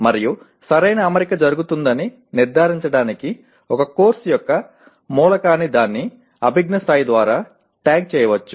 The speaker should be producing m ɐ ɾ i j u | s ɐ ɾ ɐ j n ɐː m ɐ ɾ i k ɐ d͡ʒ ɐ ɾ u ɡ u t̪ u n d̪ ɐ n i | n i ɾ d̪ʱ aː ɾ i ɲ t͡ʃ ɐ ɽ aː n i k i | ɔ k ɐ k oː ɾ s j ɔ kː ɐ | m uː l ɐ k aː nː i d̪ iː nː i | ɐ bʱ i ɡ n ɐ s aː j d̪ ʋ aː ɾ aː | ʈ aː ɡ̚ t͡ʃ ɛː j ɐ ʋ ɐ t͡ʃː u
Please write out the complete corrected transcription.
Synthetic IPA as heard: m ɐ ɾ i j u | s ɐ ɾ ɐ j n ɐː m ɐ ɾ i k ɐ d͡ʒ ɐ ɾ u ɡ u t̪ u n d̪ ɐ n i | n i ɾ d̪ʱ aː ɾ i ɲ t͡ʃ ɐ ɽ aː n i k i | ɔ k ɐ k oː ɾ s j ɔ kː ɐ | m uː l ɐ k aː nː i d̪ aː nː i | ɐ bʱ i ɡ n ɐ s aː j d̪ ʋ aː ɾ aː | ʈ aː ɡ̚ t͡ʃ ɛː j ɐ ʋ ɐ t͡ʃː u

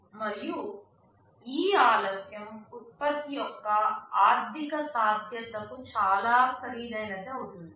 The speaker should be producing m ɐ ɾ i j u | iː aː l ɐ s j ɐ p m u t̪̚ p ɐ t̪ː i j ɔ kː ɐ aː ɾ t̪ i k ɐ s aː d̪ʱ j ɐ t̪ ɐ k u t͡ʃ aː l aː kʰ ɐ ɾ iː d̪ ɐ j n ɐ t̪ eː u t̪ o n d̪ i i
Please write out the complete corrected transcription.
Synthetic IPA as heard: m ɐ ɾ i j u | iː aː l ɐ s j ɐ m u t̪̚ p ɐ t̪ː i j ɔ kː ɐ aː ɾ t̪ i k ɐ s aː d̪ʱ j ɐ t̪ ɐ k u t͡ʃ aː l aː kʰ ɐ ɾ iː d̪ ɐ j n ɐ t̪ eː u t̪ u n d̪ i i

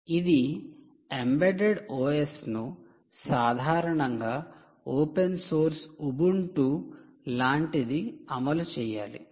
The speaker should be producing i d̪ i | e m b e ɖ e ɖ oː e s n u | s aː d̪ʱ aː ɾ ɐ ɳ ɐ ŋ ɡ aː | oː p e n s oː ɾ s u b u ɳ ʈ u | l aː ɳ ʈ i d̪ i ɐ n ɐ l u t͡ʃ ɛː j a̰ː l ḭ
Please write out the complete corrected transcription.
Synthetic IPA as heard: i d̪ i | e m b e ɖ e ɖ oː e s n u | s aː d̪ʱ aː ɾ ɐ ɳ ɐ ŋ ɡ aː | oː p e n s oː ɾ s u b u ɳ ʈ u | l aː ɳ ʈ i d̪ i ɐ m ɐ l u t͡ʃ ɛː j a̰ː l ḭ

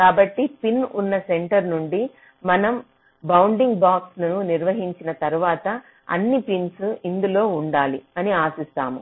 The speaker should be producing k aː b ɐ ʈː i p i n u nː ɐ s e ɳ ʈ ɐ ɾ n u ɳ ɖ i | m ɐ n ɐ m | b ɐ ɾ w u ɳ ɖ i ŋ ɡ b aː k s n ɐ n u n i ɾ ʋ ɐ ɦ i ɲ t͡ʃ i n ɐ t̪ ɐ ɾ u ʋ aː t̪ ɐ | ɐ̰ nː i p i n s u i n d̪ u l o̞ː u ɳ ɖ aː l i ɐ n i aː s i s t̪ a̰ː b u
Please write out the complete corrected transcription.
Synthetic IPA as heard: k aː b ɐ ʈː i p i n u nː ɐ s e ɳ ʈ ɐ ɾ n u ɳ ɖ i | m ɐ n ɐ m | b ɐ w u ɳ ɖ i ŋ ɡ b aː k s n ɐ n u n i ɾ ʋ ɐ ɦ i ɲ t͡ʃ i n ɐ t̪ ɐ ɾ u ʋ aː t̪ ɐ | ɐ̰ nː i p i n s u i n d̪ u l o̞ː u ɳ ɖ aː l i ɐ n i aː s i s t̪ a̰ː m u

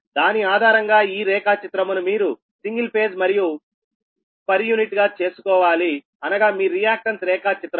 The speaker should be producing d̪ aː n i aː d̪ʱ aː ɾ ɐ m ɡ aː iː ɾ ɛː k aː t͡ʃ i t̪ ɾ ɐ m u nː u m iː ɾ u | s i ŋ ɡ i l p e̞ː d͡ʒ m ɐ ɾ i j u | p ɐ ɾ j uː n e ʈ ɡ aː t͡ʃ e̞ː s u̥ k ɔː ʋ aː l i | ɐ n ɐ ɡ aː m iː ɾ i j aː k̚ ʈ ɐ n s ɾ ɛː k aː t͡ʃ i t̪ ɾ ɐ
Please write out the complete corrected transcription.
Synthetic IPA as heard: d̪ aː n i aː d̪ʱ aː ɾ ɐ ŋ ɡ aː iː ɾ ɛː k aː t͡ʃ i t̪ ɾ ɐ m u n u m iː ɾ u | s i ŋ ɡ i l p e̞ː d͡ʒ m ɐ ɾ i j u | p ɐ ɾ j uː n i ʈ ɡ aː t͡ʃ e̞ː s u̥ k ɔː ʋ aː l i | ɐ n ɐ ɡ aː m iː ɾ i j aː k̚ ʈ ɐ n s ɾ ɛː k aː t͡ʃ i t̪ ɾ ɐ

